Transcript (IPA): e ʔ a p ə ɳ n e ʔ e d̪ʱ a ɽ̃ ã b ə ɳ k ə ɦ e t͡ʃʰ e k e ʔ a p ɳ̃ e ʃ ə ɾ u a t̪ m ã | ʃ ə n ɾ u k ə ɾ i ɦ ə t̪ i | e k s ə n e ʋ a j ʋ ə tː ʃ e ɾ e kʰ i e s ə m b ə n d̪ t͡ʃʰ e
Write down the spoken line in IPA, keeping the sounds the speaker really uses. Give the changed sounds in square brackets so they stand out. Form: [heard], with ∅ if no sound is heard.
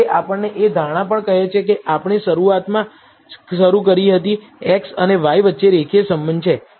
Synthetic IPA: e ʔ a p ə ɳ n e ʔ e d̪ʱ a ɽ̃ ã [p] ə ɳ k ə ɦ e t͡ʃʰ e k e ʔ a p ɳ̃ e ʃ ə ɾ u a t̪ m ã | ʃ ə [∅] ɾ u k ə ɾ i ɦ ə t̪ i | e k s ə n e ʋ a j ʋ ə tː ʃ e ɾ e kʰ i e s ə m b ə n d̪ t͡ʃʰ e

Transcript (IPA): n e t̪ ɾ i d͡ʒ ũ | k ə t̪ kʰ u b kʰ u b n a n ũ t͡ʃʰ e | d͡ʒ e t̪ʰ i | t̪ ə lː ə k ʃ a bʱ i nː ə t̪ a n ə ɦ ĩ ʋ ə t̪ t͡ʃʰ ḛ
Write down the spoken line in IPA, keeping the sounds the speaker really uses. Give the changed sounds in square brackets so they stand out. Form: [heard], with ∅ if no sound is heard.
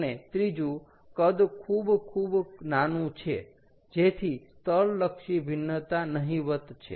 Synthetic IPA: n e t̪ ɾ i d͡ʒ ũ | k ə [d̪] kʰ u b kʰ u b n a n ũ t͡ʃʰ e | d͡ʒ e t̪ʰ i | t̪ ə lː ə k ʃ [i] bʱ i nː ə t̪ a n ə ɦ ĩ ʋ ə t̪ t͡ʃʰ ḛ

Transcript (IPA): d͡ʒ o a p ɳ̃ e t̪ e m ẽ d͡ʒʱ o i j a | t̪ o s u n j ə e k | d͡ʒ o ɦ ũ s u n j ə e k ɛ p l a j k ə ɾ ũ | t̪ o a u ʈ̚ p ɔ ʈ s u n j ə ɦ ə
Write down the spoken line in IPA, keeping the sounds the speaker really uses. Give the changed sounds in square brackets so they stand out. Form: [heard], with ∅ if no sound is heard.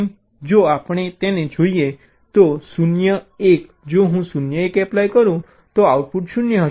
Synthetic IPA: d͡ʒ o a p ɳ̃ e t̪ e [n] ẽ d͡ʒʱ o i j [e] | t̪ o s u n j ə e k | d͡ʒ o ɦ ũ s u n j ə e k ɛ p l a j k ə ɾ ũ | t̪ o a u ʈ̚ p [u] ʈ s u n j ə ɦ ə

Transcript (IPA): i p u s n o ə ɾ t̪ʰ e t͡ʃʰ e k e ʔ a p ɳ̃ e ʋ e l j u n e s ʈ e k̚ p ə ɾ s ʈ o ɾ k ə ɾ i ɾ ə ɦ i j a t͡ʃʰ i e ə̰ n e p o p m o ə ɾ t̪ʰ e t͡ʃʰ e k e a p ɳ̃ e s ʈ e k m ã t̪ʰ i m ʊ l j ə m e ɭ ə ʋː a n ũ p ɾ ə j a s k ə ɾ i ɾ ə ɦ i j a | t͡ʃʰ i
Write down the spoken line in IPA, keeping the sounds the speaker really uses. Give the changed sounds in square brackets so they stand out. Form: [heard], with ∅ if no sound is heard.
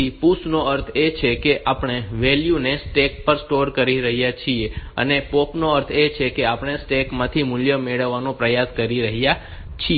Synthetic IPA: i p u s n o ə ɾ t̪ʰ e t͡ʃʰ e k e ʔ a p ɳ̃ e ʋ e l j u n e s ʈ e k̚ p ə ɾ s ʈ o ɾ k ə ɾ i ɾ ə ɦ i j a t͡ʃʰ i e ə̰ n e p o p [n] o ə ɾ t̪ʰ e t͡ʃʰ e k e a p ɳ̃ e s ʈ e k m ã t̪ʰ i m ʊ l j ə m e ɭ ə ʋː a n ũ p ɾ ə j a s k ə ɾ i ɾ ə ɦ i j a | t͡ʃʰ i

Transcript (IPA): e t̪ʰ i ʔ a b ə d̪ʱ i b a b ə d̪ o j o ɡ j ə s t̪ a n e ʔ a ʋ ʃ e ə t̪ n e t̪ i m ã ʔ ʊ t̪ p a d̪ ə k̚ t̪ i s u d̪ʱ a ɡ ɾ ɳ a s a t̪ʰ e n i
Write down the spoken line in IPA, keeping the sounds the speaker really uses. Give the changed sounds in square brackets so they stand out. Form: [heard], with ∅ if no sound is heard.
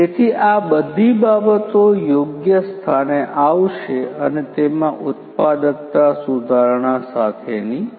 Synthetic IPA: e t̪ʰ i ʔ a b ə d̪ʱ i b a b ə [t̪] o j o ɡ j ə s [t̪ʰ] a n e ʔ a ʋ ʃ e ə [∅] n e t̪ [e] m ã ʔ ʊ t̪ p a d̪ ə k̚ t̪ [a] s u d̪ʱ a [∅] ɾ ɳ a s a t̪ʰ e n i

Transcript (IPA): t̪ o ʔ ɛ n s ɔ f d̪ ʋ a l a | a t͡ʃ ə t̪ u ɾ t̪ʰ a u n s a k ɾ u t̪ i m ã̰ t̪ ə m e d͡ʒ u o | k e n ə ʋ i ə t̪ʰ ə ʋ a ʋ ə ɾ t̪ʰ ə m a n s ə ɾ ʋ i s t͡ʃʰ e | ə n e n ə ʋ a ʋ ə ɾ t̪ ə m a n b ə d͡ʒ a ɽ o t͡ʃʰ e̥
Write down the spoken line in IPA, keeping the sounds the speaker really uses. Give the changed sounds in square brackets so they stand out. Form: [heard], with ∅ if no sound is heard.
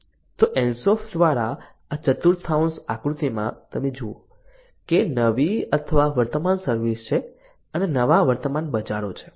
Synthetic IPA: t̪ o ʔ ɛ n s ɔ f d̪ ʋ a [ɾ] a | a t͡ʃ ə t̪ u ɾ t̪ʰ a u n s a k ɾ u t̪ i m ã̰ t̪ ə m e d͡ʒ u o | k e n ə ʋ i ə t̪ʰ ə ʋ a ʋ ə ɾ [t̪] ə m a n s ə ɾ ʋ i s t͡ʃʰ e | ə n e n ə ʋ a ʋ ə ɾ t̪ ə m a n b ə d͡ʒ a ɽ o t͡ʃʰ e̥

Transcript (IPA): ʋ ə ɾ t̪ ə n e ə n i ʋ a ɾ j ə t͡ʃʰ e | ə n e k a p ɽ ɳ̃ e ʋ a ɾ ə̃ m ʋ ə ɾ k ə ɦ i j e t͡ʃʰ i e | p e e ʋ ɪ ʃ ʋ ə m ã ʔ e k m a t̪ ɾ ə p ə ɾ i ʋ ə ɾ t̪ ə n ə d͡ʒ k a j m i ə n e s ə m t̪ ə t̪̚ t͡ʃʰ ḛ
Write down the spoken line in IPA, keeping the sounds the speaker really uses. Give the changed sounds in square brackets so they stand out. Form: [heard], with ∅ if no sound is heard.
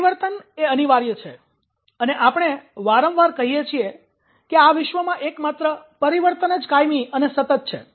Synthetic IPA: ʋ ə ɾ t̪ ə n e ə n i ʋ a ɾ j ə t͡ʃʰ e | ə n e [ʔ] a p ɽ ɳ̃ e ʋ a ɾ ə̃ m ʋ [a] ɾ k ə ɦ i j e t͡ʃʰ i e | [k] e [a] ʋ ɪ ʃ ʋ ə m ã ʔ e k m a t̪ ɾ ə p ə ɾ i ʋ ə ɾ t̪ ə n ə d͡ʒ k a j m i ə n e s ə [∅] t̪ ə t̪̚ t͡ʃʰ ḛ

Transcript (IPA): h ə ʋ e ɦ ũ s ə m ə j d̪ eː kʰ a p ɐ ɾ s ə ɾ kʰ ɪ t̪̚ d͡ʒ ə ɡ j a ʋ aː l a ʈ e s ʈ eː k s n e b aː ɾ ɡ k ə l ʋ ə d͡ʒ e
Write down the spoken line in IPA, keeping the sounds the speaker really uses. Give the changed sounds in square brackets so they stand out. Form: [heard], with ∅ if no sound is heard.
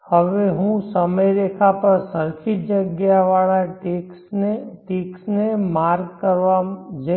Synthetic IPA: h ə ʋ e ɦ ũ s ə m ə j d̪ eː kʰ a p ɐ ɾ s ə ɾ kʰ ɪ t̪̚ d͡ʒ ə ɡ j a ʋ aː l a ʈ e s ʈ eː k s n e [m] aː ɾ ɡ k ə [ɾ] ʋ [a] d͡ʒ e

